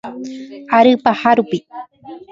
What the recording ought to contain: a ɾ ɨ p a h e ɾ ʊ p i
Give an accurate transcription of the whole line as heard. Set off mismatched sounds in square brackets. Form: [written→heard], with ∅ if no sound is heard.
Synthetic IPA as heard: a ɾ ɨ p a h [e→a] ɾ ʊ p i

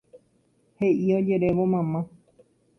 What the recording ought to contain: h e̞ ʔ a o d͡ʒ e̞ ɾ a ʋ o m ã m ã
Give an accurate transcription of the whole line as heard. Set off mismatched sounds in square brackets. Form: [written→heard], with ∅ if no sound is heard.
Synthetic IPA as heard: h e̞ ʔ [a→i] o d͡ʒ e̞ ɾ [a→e] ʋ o m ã m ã

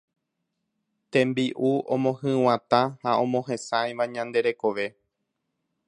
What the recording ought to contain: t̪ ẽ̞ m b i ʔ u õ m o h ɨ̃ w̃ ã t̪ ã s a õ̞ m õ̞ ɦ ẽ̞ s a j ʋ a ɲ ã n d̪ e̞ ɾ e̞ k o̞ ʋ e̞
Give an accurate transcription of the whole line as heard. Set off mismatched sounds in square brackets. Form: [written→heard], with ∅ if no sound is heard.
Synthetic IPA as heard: t̪ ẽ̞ m b i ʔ u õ m [o→õ] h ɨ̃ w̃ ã t̪ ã [s→h] a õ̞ m õ̞ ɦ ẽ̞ s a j ʋ a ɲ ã n d̪ e̞ ɾ e̞ k o̞ ʋ e̞

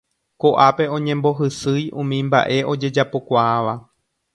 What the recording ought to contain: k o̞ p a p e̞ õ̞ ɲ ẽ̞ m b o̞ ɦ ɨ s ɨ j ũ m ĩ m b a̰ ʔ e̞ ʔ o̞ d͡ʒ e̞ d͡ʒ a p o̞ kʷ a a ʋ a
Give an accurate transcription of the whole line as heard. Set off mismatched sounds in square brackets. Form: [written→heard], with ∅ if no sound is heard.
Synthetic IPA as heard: k o̞ [p→ʔ] a p e̞ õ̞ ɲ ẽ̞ m b o̞ ɦ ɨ s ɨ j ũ m ĩ m b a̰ ʔ e̞ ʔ o̞ d͡ʒ e̞ d͡ʒ a p o̞ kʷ a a ʋ a

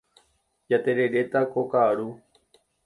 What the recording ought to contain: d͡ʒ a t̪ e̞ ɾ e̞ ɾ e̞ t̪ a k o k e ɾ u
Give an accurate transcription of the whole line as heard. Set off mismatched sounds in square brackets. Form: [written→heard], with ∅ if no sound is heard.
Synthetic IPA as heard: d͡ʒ a t̪ e̞ ɾ e̞ ɾ e̞ t̪ a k o k [e→a] ɾ u

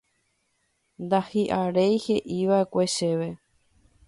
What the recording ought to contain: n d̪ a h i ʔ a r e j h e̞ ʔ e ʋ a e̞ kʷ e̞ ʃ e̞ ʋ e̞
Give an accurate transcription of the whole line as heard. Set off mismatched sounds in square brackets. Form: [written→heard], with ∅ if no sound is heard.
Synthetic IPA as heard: n d̪ a h i ʔ a [r→ɾ] e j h e̞ ʔ [e→i] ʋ a e̞ kʷ e̞ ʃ e̞ ʋ e̞

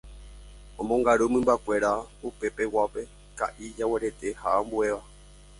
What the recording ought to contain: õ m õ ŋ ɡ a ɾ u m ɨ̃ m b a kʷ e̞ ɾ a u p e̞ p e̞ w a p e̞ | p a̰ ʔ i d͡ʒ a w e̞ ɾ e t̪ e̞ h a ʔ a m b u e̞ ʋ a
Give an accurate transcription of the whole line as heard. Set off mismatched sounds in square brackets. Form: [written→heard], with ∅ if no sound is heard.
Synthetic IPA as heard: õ m õ ŋ ɡ a ɾ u m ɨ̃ m b a kʷ e̞ ɾ a u p e̞ p e̞ w a p e̞ | [p→k] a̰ ʔ i d͡ʒ a w e̞ ɾ e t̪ e̞ h a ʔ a m b u e̞ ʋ a

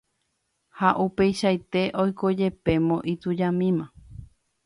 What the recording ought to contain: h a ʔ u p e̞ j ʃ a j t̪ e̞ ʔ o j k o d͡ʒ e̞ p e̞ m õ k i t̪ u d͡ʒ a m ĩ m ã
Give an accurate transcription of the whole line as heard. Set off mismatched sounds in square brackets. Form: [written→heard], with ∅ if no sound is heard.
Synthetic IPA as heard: h a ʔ u p e̞ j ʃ a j t̪ e̞ ʔ o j k o d͡ʒ e̞ p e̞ m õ [k→ʔ] i t̪ u d͡ʒ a m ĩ m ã

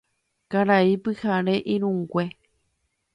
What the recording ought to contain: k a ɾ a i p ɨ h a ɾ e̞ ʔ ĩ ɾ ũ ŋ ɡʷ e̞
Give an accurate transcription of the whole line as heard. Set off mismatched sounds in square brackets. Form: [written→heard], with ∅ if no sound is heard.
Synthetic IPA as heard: k a ɾ a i p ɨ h a ɾ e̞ ʔ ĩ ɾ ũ ŋ ɡʷ e̞

